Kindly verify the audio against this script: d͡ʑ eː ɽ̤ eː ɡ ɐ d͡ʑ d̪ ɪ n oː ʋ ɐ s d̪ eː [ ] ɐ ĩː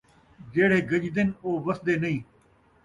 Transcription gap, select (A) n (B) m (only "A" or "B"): A